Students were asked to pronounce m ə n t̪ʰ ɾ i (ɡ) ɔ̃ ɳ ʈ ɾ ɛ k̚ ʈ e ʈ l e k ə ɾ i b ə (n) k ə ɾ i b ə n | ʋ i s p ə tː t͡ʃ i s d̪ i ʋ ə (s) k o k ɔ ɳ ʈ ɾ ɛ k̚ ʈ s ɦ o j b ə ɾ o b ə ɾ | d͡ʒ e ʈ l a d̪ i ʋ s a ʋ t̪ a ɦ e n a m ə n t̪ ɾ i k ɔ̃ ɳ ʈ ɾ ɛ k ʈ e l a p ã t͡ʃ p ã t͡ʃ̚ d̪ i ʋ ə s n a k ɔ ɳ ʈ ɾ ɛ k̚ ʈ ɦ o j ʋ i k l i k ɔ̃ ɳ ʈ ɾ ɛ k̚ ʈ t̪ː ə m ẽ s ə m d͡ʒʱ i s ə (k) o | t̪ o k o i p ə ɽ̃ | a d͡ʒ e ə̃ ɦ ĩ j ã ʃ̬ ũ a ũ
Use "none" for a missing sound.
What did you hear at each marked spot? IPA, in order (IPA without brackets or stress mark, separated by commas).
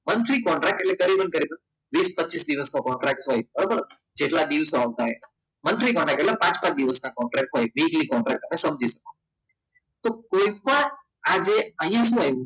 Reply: k, n, s, k